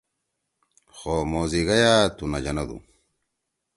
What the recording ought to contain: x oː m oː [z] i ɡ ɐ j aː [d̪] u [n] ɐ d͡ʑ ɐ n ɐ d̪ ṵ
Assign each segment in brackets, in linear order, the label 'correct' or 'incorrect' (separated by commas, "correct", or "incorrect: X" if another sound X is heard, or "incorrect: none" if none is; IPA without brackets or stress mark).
correct, incorrect: t̪, correct